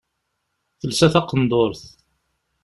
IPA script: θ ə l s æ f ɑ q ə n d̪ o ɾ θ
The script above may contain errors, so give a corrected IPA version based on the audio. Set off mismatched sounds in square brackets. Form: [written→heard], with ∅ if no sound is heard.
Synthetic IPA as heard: θ ə l s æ [f→θ] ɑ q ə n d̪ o ɾ θ